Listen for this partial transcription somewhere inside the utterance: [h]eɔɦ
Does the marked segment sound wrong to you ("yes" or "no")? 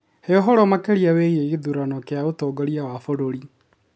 no